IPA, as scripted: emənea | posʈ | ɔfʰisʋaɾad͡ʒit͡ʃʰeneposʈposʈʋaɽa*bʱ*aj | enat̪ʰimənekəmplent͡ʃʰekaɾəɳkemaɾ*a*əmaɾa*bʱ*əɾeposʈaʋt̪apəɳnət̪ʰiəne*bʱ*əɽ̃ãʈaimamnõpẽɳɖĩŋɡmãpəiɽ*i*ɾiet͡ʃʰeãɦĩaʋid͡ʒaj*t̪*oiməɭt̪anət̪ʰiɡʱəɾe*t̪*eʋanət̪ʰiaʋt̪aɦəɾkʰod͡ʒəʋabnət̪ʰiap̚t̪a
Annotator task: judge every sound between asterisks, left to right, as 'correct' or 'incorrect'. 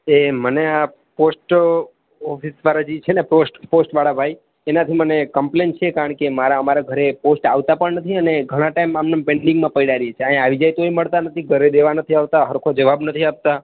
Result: correct, correct, incorrect, incorrect, incorrect, correct, incorrect

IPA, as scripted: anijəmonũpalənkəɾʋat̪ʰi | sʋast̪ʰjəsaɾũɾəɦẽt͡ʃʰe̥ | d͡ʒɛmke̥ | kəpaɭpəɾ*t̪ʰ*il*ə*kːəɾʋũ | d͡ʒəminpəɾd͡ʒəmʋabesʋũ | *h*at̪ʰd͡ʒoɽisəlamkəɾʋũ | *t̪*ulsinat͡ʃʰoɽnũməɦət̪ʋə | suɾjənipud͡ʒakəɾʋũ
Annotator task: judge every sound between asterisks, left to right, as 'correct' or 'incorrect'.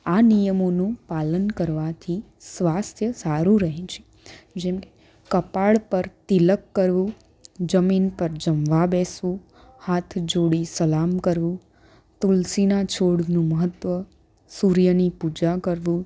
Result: incorrect, correct, correct, correct

